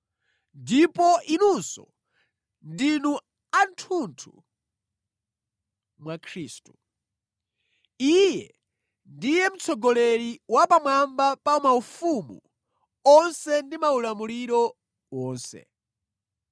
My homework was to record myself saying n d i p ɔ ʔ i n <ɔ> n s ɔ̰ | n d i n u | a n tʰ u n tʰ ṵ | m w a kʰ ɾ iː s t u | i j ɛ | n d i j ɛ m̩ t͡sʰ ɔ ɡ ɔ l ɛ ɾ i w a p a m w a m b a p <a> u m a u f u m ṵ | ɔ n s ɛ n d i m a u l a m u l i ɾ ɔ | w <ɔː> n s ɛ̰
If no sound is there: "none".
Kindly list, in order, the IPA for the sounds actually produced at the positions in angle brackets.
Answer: u, a, ɔː

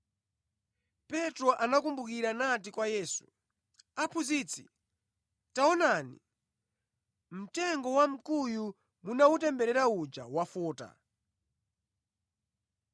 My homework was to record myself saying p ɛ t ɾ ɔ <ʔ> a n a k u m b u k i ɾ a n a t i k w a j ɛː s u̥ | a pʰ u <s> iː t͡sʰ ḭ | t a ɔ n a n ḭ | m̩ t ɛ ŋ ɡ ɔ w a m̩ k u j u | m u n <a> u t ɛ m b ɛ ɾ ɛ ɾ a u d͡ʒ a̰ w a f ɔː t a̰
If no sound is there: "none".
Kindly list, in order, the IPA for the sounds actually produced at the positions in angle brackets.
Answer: ʔ, z, a

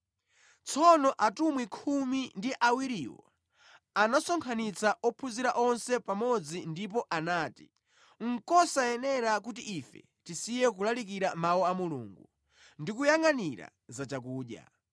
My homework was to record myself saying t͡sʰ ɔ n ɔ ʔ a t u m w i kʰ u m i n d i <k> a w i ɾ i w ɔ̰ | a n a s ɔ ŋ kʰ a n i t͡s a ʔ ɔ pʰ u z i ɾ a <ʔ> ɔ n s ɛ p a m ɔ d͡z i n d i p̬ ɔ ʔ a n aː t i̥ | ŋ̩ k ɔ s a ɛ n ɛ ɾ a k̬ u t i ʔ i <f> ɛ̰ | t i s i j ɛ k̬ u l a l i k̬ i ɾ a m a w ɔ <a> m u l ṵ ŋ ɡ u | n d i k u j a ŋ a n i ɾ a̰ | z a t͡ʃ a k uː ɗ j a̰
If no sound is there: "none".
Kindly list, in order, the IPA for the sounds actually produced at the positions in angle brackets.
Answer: ʔ, ʔ, f, a

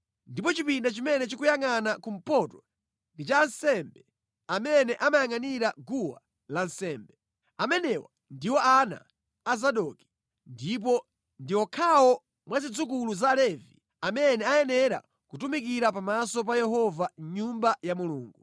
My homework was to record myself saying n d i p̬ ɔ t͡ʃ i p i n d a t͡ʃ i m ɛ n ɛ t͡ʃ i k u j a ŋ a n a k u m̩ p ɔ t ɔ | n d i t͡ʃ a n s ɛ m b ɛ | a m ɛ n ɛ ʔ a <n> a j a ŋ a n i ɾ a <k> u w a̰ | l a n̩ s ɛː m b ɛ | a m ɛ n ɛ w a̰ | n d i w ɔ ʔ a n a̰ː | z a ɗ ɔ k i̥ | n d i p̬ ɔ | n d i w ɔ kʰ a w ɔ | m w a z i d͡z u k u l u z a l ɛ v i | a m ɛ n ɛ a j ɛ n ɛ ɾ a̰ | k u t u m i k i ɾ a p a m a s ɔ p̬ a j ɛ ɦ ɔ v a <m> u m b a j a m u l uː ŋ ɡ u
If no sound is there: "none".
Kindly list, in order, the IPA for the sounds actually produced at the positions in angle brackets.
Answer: m, ɡ, ɲ

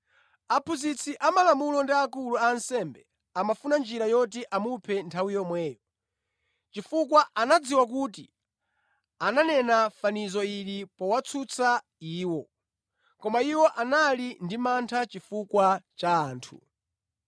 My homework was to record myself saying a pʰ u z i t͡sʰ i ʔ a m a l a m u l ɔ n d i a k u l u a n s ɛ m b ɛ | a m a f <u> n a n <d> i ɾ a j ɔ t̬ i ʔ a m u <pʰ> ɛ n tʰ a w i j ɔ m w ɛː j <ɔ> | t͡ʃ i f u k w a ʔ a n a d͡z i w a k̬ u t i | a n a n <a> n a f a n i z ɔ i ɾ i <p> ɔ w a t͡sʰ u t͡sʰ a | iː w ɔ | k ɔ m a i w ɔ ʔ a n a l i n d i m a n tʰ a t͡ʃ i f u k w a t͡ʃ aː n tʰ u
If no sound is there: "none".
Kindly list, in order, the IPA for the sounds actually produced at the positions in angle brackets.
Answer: u, d͡ʒ, pʰ, ɔ, ɛ, p

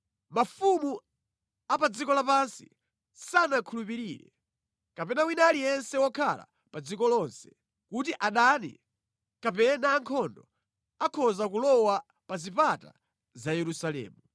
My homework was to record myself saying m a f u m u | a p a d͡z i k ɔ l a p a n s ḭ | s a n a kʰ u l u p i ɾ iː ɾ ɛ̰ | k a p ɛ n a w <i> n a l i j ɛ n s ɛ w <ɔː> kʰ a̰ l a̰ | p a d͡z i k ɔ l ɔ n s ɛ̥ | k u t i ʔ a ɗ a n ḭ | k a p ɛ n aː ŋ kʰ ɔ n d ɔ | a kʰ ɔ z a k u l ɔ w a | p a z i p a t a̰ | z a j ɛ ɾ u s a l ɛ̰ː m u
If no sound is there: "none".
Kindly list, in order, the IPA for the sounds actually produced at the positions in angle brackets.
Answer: i, ɔ

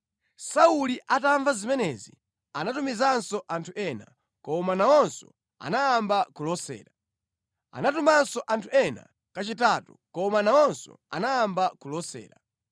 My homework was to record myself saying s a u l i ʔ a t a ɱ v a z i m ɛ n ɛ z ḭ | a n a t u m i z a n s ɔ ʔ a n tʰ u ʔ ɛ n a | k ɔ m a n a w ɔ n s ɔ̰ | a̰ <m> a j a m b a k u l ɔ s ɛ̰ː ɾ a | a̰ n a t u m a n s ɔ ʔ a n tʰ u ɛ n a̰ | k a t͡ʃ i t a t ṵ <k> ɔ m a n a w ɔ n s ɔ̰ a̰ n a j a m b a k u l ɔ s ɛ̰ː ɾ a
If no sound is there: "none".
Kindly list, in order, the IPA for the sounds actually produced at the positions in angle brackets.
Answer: n, k

